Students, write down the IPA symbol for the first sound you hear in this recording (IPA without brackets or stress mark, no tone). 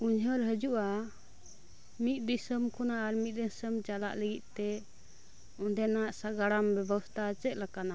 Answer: u